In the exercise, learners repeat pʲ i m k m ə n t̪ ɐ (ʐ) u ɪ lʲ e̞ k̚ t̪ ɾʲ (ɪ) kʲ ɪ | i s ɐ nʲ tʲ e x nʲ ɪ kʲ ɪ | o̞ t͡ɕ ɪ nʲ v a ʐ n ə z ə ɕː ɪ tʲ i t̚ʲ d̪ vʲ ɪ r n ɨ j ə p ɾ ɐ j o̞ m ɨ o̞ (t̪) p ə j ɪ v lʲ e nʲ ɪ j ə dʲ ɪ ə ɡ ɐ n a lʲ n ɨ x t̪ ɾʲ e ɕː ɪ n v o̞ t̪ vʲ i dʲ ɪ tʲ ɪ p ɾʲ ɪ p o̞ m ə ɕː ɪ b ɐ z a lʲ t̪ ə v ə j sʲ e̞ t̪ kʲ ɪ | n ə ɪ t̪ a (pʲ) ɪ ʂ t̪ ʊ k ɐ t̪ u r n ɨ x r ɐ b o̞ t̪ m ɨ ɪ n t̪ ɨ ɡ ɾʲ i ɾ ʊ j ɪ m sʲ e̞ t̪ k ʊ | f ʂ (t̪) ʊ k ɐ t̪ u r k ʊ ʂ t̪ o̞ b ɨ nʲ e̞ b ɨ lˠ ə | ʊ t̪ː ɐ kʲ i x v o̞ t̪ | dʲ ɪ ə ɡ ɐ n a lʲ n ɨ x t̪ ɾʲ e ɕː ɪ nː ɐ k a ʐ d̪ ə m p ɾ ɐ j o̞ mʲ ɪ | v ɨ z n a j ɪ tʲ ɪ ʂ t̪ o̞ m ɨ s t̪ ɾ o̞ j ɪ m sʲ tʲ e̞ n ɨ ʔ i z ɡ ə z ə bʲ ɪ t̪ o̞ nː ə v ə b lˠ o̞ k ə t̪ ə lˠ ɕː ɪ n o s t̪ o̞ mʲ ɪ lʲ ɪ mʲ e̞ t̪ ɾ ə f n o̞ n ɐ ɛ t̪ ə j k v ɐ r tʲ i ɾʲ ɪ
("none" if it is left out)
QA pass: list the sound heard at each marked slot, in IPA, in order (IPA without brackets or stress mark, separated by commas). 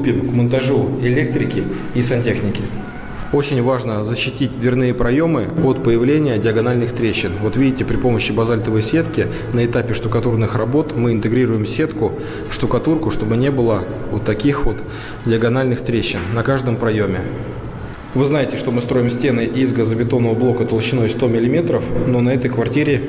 ʐ, ɪ, t̪, pʲ, t̪